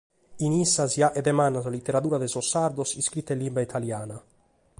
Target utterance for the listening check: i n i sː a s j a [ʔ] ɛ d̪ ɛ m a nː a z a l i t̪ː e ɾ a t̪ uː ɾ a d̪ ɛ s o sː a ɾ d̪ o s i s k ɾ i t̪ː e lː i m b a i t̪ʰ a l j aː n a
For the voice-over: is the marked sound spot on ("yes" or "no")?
yes